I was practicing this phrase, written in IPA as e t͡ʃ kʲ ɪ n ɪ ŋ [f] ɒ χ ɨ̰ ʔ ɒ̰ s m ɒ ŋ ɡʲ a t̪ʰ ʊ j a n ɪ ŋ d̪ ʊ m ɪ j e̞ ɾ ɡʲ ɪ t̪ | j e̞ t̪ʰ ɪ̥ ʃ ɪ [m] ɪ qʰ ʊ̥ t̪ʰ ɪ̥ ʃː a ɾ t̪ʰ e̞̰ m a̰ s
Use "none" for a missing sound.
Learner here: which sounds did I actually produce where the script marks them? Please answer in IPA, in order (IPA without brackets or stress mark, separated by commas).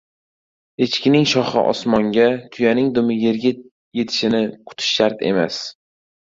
ʃ, n